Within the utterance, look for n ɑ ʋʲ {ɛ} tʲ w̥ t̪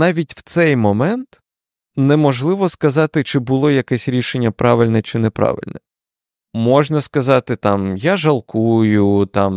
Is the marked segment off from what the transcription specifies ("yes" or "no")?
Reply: yes